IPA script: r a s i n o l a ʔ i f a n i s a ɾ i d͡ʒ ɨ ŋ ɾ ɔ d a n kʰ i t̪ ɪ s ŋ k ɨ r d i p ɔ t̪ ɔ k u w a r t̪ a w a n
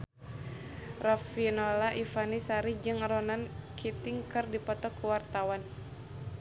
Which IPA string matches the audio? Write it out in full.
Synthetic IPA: r a f i n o l a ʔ i f a n i s a ɾ i d͡ʒ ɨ ŋ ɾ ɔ n a n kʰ i t̪ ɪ ŋ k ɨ r d i p ɔ t̪ ɔ k u w a r t̪ a w a n